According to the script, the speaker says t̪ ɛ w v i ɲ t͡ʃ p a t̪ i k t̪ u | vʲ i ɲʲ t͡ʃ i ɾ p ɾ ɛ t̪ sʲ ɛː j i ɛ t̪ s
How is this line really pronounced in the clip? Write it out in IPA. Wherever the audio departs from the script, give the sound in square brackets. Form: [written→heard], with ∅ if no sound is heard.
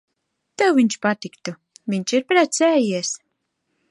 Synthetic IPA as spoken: t̪ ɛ w v i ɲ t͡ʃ p a t̪ i k t̪ u | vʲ i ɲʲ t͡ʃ i ɾ p ɾ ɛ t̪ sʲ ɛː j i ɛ [t̪→∅] s